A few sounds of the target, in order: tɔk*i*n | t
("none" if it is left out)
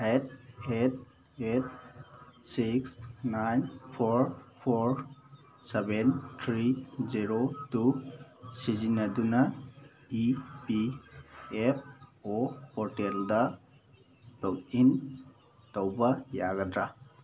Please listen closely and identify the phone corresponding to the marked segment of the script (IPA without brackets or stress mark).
i